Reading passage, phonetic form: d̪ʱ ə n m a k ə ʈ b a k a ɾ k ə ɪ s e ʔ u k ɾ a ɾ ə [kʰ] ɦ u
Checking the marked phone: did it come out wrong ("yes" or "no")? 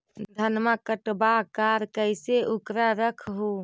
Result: no